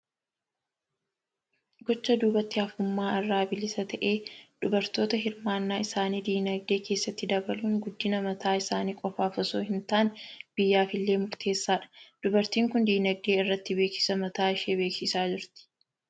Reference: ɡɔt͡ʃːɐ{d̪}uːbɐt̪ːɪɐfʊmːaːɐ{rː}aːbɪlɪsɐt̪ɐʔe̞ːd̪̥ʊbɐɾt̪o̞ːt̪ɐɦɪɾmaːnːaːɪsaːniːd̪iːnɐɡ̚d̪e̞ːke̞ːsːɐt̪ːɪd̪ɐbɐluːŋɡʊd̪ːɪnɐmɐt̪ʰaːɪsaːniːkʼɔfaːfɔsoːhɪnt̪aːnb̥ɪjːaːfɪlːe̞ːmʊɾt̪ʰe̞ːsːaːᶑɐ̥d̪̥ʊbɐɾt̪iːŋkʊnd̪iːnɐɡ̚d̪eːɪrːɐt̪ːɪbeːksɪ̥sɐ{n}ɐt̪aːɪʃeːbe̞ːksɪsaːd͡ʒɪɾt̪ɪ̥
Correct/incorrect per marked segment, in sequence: correct, correct, incorrect: m

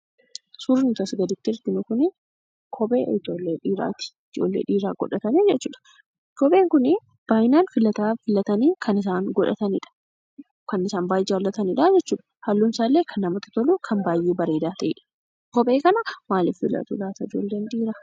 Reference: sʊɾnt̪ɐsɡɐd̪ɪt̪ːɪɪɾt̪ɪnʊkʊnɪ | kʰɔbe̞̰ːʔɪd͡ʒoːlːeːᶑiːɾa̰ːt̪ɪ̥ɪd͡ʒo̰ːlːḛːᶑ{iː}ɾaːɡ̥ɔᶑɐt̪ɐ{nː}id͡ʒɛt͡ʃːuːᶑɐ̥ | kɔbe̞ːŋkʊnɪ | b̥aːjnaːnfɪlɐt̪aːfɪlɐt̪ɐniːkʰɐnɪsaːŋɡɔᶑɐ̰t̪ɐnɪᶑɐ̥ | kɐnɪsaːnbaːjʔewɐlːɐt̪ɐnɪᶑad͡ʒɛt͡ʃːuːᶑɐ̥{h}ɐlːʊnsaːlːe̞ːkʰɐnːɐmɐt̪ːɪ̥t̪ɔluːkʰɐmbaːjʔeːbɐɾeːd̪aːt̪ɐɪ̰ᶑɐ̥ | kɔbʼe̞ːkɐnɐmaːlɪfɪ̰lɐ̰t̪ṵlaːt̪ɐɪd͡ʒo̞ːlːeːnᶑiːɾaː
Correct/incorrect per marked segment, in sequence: correct, incorrect: n, correct

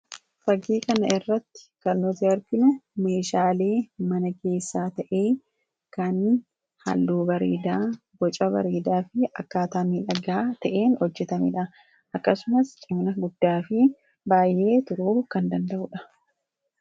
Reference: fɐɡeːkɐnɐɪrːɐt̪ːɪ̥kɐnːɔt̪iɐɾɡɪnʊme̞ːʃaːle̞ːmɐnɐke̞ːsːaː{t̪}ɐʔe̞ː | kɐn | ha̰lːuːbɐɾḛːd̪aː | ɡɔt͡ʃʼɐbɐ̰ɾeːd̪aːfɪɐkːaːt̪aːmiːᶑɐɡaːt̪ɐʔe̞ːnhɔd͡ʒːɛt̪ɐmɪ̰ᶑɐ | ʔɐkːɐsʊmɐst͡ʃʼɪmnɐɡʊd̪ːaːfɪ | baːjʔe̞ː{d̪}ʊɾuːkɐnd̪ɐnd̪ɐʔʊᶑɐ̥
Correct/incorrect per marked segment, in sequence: correct, incorrect: t̪

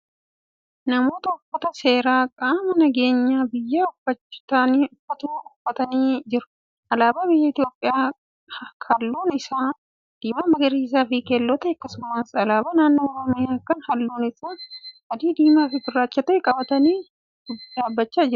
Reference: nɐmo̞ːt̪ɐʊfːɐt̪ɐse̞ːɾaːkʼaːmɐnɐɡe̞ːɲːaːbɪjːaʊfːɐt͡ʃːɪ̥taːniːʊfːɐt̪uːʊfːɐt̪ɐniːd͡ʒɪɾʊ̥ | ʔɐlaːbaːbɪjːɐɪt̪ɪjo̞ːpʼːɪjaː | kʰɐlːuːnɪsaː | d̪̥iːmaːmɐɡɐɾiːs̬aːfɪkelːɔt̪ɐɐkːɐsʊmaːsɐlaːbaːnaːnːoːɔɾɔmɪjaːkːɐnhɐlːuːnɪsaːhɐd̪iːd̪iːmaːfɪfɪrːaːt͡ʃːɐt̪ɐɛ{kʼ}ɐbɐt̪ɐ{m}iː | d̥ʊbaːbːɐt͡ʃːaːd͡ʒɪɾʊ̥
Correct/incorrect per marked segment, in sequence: correct, incorrect: n

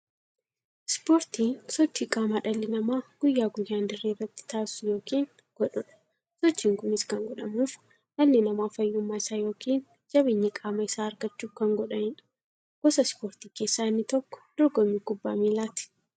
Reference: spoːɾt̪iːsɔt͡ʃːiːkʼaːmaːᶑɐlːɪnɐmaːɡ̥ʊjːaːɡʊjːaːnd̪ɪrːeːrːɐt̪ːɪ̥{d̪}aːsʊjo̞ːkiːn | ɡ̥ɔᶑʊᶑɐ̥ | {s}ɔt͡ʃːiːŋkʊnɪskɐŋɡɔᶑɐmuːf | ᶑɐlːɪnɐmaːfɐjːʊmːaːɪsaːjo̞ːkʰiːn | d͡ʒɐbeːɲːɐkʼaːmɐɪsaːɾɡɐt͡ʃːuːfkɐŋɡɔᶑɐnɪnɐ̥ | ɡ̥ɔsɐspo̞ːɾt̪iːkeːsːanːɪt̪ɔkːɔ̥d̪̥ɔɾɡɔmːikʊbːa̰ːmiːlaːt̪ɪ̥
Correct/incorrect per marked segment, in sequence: incorrect: t̪, correct

